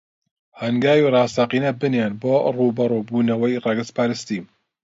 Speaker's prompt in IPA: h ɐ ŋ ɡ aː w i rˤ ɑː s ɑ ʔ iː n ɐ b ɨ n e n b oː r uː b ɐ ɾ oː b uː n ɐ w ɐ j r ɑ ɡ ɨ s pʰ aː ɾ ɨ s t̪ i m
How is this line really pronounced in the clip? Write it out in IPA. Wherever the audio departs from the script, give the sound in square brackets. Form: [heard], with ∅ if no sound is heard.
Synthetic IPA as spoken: h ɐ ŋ ɡ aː w i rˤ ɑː s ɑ [q] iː n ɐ b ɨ n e n b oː r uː b ɐ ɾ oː b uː n ɐ w ɐ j r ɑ ɡ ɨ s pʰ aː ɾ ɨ s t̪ i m